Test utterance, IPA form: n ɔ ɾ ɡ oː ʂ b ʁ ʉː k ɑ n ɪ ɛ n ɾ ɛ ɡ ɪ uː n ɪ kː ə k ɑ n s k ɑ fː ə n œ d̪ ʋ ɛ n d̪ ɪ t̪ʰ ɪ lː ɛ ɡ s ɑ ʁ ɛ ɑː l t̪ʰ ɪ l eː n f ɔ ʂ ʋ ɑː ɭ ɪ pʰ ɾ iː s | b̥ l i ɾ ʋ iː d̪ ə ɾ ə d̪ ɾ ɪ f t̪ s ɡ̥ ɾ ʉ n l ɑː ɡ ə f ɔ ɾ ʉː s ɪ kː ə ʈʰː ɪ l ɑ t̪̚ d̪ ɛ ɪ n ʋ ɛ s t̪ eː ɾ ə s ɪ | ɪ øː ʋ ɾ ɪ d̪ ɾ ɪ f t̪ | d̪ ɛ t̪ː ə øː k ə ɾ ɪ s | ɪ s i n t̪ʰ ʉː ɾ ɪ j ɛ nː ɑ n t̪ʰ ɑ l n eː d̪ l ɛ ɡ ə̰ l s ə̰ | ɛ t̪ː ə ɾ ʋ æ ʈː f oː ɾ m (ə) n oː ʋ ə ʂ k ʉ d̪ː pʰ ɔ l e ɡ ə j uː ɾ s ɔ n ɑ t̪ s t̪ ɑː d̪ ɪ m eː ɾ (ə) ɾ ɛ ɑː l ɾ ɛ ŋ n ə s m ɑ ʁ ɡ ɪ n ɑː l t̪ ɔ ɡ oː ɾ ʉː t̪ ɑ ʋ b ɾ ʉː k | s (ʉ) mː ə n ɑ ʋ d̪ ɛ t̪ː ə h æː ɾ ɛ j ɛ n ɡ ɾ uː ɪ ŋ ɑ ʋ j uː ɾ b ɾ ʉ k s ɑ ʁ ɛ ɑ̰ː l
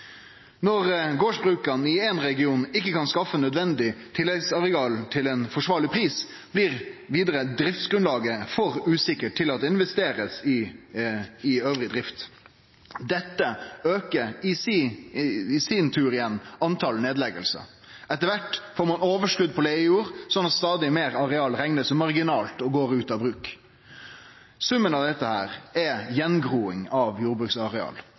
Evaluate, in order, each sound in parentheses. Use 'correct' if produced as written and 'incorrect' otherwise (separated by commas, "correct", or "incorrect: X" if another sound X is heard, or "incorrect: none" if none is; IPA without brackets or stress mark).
incorrect: ɑ, incorrect: ɑ, correct